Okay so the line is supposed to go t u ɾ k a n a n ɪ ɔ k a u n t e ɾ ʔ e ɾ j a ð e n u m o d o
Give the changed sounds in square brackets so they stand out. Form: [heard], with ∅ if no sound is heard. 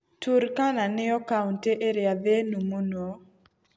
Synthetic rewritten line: t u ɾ k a n a n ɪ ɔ k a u n t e [∅] ʔ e ɾ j a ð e n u m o [n] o

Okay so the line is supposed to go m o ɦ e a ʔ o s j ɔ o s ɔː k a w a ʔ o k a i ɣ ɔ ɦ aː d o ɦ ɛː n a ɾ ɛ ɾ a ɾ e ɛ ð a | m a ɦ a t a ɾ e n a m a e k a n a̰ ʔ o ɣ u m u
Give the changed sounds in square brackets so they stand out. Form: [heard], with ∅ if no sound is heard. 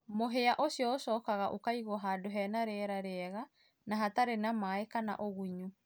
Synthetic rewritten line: m o ɦ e a ʔ o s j ɔ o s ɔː k a [ɣ] a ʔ o k a i ɣ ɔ ɦ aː d o ɦ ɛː n a ɾ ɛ ɾ a ɾ e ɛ [ɣ] a | [n] a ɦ a t a ɾ e n a m a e k a n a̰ ʔ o ɣ u [ɲ] u

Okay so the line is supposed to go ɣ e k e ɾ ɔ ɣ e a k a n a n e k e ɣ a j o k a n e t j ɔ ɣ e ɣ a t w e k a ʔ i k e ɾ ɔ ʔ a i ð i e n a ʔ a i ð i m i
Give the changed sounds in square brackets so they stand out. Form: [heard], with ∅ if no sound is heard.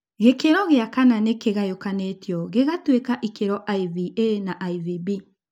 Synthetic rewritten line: ɣ e k e ɾ ɔ ɣ e a k a n a n e k e ɣ a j o k a n e t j ɔ ɣ e ɣ a t w e k a ʔ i k e ɾ ɔ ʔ a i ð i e n a ʔ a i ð i [b] i

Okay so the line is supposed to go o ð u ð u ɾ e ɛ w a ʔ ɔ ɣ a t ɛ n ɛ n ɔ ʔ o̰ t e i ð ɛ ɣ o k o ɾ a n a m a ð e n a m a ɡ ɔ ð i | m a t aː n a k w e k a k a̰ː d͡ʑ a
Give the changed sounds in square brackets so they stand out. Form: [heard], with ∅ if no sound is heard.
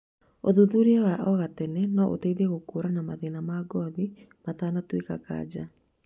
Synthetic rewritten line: o ð u ð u ɾ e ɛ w a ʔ ɔ ɣ a t ɛ n ɛ n ɔ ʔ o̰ t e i ð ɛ ɣ o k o ɾ a n a m a ð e n a m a ɡ ɔ ð i | m a t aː n a [t] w e k a k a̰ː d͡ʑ a

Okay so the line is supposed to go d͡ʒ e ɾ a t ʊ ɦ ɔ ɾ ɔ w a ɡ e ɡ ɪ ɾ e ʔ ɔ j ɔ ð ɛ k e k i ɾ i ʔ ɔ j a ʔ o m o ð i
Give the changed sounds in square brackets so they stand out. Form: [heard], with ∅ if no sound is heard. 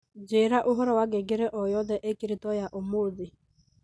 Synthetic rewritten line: d͡ʒ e ɾ a [ʔ] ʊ ɦ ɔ ɾ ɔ w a ɡ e ɡ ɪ ɾ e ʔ ɔ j ɔ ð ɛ [ʔ] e k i ɾ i [t] ɔ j a ʔ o m o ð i

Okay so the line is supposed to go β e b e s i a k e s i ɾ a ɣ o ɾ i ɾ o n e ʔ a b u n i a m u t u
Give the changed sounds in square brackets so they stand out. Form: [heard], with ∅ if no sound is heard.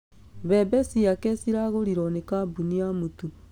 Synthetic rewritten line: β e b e s i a k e s i ɾ a ɣ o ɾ i ɾ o n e [k] a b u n i a m u t u

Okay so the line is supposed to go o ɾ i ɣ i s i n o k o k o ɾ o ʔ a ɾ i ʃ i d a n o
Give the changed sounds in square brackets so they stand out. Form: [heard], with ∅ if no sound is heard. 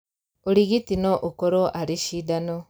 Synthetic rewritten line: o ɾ i ɣ i [t] i n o [ʔ] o k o ɾ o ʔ a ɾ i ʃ i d a n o

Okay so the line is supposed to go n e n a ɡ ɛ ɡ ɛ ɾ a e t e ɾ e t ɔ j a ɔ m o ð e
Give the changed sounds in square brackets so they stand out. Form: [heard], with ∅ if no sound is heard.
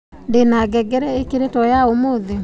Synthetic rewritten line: [d] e n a ɡ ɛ ɡ ɛ ɾ [ɛ] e [k] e ɾ e t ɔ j a [o] m o ð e

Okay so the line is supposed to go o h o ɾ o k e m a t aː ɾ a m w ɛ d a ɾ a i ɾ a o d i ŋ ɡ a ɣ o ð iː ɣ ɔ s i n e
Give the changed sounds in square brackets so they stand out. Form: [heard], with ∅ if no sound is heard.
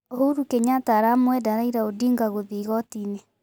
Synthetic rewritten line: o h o ɾ [u] k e [ɲ] a t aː ɾ a m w ɛ d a ɾ a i ɾ a o d i ŋ ɡ a ɣ o ð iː ɣ ɔ [t] i n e

